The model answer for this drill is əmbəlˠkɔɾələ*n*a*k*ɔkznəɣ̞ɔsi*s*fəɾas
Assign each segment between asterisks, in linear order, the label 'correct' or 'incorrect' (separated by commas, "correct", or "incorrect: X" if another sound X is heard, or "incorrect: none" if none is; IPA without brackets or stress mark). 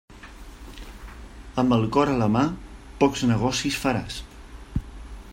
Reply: incorrect: m, incorrect: p, correct